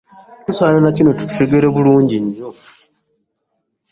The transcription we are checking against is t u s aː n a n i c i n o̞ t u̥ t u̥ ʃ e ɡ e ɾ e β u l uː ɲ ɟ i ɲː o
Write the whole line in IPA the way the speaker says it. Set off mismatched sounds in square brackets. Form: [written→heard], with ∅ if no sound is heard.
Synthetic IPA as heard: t u s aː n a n [i→a] c i n o̞ t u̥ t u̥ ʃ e ɡ e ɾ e β u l uː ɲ ɟ i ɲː o